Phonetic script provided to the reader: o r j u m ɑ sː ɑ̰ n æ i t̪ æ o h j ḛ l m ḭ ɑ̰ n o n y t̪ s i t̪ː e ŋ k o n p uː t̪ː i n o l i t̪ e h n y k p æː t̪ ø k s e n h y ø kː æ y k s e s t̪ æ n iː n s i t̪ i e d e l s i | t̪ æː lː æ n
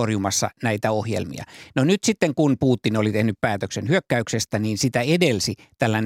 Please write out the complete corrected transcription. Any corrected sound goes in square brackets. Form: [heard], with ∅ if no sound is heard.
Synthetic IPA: o r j u m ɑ sː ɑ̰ n æ i t̪ æ o h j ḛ l m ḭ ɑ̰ n o n y t̪ s i t̪ː e ŋ k [u] n p uː t̪ː i n o l i t̪ e h n y [p] p æː t̪ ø k s e n h y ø kː æ y k s e s t̪ æ n iː n s i t̪ [æ] e d e l s i | t̪ [æ] lː æ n